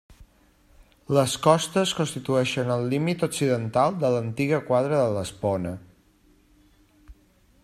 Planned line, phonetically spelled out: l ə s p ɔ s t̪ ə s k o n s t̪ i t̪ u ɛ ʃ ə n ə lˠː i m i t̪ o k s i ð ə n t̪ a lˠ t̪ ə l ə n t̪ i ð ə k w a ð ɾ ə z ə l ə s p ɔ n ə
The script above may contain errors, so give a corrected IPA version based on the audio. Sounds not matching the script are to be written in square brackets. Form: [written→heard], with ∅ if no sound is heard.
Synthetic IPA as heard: l ə s [p→k] ɔ s t̪ ə s k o n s t̪ i t̪ u ɛ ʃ ə n ə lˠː i m i t̪ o k s i ð ə n t̪ a lˠ [t̪→d̪] ə l ə n t̪ i [ð→ɣ] ə k w a ð ɾ ə [z→ð] ə l ə s p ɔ n ə

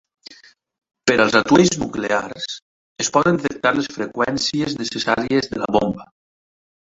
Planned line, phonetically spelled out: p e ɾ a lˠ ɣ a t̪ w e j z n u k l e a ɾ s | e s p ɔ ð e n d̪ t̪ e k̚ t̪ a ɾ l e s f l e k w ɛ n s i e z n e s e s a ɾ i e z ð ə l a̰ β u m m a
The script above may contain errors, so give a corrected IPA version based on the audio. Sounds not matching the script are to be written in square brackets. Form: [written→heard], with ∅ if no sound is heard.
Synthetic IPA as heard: p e ɾ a lˠ [ɣ→z] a t̪ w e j z n u k l e a ɾ s | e s p ɔ ð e n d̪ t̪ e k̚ t̪ a ɾ l e s f [l→ɾ] e k w ɛ n s i e z n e s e s a ɾ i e z ð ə l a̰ β [u→o] m [m→b] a

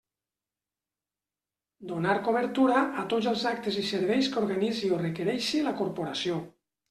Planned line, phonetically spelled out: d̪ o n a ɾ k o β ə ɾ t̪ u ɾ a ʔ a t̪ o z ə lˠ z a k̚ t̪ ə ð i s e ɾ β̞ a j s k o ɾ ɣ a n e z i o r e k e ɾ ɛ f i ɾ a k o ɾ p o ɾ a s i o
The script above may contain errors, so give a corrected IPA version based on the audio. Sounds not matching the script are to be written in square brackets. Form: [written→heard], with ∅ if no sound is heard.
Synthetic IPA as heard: d̪ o n a ɾ k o β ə ɾ t̪ u ɾ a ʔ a t̪ o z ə lˠ z a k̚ t̪ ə [ð→z] i s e ɾ β̞ [a→ɛ] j s k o ɾ ɣ a n [e→i] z i o r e k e ɾ ɛ [f→ʃ] i [ɾ→l] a k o ɾ p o ɾ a s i o

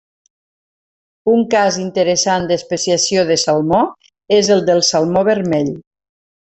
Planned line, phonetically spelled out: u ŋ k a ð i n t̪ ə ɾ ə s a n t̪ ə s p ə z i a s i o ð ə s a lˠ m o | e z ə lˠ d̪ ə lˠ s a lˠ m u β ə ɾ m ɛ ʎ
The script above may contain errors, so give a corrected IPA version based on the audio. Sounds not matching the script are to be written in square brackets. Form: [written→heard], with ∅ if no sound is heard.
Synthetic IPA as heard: u ŋ k a [ð→z] i n t̪ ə ɾ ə s a n [t̪→d̪] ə s p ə [z→s] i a s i o ð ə s a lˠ m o | e z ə lˠ d̪ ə lˠ s a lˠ m [u→o] β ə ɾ m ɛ ʎ

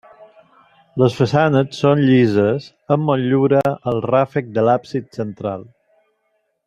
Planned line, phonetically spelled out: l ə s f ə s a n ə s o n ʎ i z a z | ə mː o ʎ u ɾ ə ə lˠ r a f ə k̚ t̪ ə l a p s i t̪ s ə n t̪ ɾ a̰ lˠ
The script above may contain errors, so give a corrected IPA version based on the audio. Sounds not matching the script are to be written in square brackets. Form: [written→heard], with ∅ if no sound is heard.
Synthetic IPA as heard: l ə s f ə s a n ə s o n ʎ i z [a→ə] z | ə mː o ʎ u ɾ ə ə lˠ r a f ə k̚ [t̪→d̪] ə l a p s i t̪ s ə n t̪ ɾ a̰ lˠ

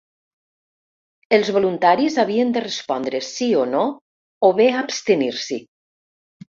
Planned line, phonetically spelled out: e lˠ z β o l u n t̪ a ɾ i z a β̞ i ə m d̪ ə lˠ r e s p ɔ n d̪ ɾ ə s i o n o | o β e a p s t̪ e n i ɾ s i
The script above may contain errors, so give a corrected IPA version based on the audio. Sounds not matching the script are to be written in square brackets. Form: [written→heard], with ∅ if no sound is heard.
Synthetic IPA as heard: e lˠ z β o l u n t̪ a ɾ i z a β̞ i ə [m→n] d̪ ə [lˠ→∅] r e s p ɔ n d̪ ɾ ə s i o n o | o β e a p s t̪ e n i ɾ s i

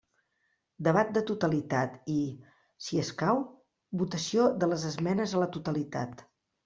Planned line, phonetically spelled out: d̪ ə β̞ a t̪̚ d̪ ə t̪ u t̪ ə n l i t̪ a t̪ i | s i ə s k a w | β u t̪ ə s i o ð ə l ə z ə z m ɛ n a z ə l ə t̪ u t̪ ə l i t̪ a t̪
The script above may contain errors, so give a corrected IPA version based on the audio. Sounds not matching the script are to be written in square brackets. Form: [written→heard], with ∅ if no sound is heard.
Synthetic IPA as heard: d̪ ə β̞ a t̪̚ d̪ ə t̪ u t̪ ə [n→∅] l i t̪ a t̪ i | s i ə s k a w | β u t̪ ə s i o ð ə l ə z ə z m ɛ n [a→ə] z ə l ə t̪ u t̪ ə l i t̪ a t̪

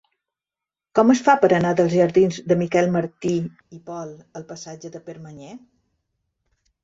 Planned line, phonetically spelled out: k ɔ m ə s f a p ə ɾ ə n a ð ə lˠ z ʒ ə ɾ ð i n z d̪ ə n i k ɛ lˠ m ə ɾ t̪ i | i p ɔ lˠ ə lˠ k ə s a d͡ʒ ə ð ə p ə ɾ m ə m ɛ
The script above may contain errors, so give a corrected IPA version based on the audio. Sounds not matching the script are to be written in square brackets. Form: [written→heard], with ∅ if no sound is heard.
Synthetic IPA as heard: k ɔ m ə s f a p ə ɾ ə n a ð ə lˠ z ʒ ə ɾ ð i n z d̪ ə [n→m] i k ɛ lˠ m ə ɾ t̪ i | i p ɔ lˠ ə lˠ [k→p] ə s a d͡ʒ ə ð ə p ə ɾ m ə [m→ɲ] ɛ

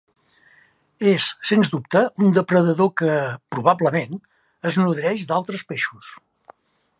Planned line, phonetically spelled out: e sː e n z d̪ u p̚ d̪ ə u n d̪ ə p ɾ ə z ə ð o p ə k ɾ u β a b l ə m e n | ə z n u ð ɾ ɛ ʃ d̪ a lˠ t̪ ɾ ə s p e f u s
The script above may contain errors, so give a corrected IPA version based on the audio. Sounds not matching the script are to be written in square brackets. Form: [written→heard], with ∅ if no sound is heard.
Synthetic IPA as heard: e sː e n z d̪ u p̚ [d̪→t̪] ə u n d̪ ə p ɾ ə [z→ð] ə ð o [p→k] ə [k→p] ɾ u β a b l ə m e n | ə z n u ð ɾ ɛ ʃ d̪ a lˠ t̪ ɾ ə s p e [f→ʃ] u s

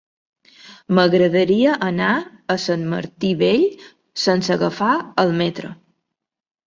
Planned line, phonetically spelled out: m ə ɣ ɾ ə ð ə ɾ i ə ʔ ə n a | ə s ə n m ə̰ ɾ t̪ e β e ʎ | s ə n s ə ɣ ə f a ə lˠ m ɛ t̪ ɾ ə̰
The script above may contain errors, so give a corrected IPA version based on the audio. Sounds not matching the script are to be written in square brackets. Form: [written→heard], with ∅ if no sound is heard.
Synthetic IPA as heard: m ə ɣ ɾ ə ð ə ɾ i ə ʔ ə n a | ə s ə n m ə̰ ɾ t̪ [e→i] β e ʎ | s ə n s ə ɣ ə f a ə lˠ m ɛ t̪ ɾ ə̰

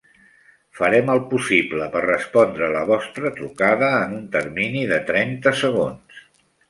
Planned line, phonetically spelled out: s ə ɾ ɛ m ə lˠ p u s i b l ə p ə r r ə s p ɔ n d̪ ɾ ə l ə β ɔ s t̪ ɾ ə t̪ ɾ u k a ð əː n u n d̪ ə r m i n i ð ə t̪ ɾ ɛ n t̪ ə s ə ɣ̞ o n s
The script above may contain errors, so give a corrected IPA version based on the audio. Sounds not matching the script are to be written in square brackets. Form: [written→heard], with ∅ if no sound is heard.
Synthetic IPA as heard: [s→f] ə ɾ ɛ m ə lˠ p u s i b l ə p ə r r ə s p ɔ n d̪ ɾ ə l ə β ɔ s t̪ ɾ ə t̪ ɾ u k a ð əː n u n [d̪→t̪] ə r m i n i ð ə t̪ ɾ ɛ n t̪ ə s ə ɣ̞ o n s

